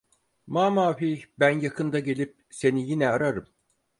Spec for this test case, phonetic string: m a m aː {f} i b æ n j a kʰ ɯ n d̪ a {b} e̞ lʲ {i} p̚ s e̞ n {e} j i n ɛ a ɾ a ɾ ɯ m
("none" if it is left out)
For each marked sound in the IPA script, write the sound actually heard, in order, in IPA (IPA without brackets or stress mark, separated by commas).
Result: f, ɟ, i, i